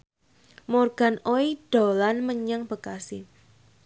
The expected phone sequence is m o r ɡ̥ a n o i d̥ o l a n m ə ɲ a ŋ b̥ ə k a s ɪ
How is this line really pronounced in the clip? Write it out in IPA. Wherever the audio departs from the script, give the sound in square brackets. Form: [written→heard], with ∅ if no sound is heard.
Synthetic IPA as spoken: m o r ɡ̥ a n o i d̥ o l a n m ə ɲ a ŋ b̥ ə k a s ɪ